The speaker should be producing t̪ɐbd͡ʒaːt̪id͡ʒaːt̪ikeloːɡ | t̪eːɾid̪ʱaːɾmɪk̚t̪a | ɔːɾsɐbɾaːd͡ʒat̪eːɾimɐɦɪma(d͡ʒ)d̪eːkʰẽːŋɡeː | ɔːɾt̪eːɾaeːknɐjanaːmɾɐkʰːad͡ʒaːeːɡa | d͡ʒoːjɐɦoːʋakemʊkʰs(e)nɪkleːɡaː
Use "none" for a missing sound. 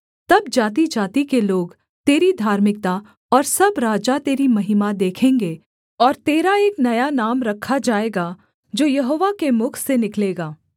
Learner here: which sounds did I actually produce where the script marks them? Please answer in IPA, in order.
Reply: none, e

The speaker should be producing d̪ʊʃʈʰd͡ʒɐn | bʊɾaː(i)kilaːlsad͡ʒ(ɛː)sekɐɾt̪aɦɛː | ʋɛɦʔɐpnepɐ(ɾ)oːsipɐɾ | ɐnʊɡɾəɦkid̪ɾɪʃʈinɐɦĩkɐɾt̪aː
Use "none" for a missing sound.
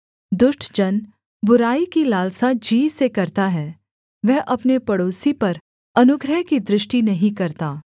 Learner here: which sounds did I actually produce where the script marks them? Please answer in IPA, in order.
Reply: i, iː, ɽ

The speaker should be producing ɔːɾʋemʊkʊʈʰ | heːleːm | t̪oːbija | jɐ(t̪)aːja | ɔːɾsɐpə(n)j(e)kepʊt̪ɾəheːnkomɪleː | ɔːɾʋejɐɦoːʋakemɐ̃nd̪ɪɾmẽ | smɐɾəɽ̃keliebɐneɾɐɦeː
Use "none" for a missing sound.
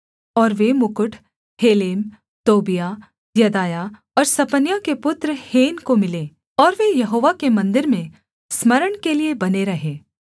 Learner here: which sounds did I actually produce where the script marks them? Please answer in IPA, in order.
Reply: d̪, n, a

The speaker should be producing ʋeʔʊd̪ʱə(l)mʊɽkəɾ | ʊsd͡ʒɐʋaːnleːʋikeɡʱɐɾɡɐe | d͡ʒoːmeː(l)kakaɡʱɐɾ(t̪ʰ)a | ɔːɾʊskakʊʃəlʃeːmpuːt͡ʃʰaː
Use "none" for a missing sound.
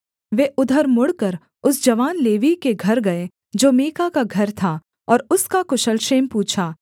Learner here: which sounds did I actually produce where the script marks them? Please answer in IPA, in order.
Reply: ɾ, none, t̪ʰ

